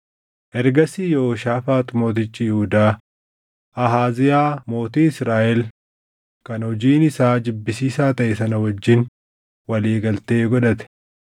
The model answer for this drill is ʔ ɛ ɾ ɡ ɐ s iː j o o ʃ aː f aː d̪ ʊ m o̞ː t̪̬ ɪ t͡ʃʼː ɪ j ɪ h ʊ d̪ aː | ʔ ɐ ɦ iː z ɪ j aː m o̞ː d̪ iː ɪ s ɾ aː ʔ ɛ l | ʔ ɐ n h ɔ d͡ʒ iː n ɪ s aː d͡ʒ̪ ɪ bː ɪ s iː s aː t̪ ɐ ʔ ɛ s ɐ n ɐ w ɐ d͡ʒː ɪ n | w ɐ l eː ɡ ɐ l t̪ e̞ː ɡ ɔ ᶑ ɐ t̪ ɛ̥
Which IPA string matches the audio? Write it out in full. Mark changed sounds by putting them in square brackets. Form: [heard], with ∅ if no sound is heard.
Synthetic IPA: ʔ ɛ ɾ ɡ ɐ s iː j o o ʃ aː f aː [t̪] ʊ m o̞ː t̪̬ ɪ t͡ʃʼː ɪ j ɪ h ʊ d̪ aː | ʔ ɐ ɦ [aː] z ɪ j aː m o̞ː [t̪] iː ɪ s ɾ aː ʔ ɛ l | [k] ɐ n h ɔ d͡ʒ iː n ɪ s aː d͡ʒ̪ ɪ bː ɪ s iː s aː t̪ ɐ ʔ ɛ s ɐ n ɐ w ɐ d͡ʒː ɪ n | w ɐ l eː ɡ ɐ l t̪ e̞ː ɡ ɔ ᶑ ɐ t̪ ɛ̥